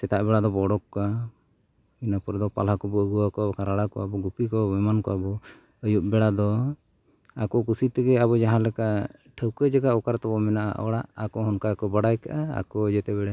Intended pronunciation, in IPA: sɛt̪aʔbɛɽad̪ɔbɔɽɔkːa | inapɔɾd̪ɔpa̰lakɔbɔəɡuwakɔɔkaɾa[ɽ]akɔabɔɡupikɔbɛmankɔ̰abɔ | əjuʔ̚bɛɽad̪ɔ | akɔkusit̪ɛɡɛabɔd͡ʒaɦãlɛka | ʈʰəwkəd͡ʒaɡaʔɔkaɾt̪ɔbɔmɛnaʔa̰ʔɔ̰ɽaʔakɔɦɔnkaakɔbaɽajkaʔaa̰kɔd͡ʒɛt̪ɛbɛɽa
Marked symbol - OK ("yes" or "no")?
yes